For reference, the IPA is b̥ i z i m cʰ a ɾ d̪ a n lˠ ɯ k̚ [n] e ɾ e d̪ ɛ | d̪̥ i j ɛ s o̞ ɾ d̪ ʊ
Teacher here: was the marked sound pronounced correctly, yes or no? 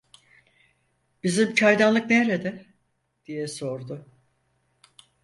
yes